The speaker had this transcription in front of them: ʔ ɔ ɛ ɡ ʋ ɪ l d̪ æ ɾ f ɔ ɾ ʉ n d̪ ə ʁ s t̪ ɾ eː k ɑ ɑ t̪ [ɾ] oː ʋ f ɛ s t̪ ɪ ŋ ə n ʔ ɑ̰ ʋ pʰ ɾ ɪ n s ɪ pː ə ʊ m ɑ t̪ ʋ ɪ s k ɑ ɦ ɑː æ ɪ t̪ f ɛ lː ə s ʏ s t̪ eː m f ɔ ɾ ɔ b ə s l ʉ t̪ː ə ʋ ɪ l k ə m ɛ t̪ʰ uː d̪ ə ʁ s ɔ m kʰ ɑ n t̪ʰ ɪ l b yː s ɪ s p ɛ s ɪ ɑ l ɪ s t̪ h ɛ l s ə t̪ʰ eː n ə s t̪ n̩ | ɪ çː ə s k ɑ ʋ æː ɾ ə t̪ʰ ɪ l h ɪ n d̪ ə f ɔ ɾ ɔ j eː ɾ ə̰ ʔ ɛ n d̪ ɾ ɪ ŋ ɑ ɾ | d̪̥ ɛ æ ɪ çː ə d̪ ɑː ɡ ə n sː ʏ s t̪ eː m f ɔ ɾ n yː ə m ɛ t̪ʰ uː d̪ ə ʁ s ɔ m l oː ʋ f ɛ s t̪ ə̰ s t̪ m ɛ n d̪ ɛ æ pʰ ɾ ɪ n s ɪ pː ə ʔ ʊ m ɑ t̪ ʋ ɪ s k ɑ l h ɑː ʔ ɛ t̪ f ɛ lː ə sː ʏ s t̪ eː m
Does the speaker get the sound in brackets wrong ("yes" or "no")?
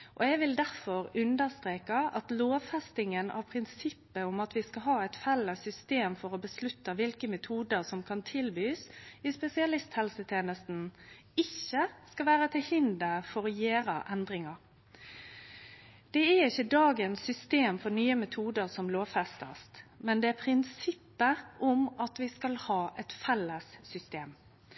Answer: yes